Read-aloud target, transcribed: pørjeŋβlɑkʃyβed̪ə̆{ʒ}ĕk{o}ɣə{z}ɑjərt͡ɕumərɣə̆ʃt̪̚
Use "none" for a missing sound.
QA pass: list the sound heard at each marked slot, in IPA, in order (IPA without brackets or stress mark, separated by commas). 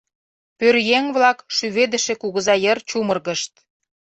ʃ, u, z